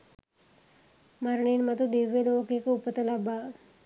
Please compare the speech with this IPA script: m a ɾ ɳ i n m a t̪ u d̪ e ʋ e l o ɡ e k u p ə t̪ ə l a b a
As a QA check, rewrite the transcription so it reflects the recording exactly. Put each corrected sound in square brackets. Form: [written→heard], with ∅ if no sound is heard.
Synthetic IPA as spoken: m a ɾ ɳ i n m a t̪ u d̪ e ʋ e l o [ɡ→k] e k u p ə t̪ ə l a b a